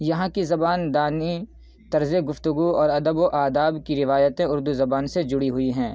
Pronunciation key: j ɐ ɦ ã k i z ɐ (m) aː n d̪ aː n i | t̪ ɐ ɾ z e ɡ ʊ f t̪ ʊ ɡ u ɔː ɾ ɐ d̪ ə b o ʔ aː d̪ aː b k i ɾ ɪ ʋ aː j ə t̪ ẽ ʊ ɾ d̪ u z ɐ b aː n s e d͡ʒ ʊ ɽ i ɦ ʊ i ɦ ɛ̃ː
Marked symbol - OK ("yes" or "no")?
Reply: no